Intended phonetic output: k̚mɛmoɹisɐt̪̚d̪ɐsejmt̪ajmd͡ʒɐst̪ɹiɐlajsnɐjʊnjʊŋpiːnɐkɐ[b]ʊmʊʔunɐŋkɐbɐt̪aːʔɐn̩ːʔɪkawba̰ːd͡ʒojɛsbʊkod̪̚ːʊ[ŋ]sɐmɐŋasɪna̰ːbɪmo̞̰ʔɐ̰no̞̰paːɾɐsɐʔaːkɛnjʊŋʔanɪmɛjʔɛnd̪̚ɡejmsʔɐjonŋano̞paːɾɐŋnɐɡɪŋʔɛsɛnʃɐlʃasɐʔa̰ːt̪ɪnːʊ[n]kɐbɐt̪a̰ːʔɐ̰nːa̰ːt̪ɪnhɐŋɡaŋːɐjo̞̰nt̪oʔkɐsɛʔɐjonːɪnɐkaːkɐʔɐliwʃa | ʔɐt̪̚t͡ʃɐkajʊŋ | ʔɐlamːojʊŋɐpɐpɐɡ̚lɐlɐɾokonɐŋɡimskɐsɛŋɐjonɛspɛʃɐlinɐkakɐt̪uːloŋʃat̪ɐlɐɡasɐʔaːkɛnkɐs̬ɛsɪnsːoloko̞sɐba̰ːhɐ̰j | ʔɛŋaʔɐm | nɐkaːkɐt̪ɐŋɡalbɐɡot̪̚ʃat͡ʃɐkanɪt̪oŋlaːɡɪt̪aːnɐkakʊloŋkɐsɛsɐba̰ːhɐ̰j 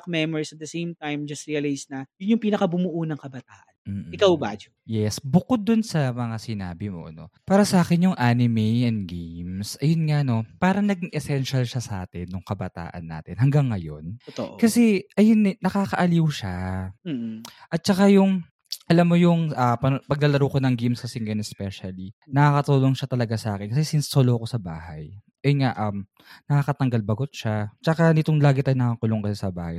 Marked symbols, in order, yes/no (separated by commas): yes, no, no